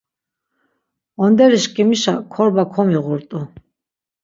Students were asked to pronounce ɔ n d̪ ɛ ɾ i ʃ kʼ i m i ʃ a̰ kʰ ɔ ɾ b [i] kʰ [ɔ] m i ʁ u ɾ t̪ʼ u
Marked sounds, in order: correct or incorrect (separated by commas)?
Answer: incorrect, correct